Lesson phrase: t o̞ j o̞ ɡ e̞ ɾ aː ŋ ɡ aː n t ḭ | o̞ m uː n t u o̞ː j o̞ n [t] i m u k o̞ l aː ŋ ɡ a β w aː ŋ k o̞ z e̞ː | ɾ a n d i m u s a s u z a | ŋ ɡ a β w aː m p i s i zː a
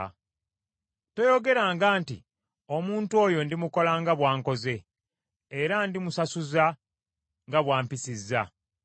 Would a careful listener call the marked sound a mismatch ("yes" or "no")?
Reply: yes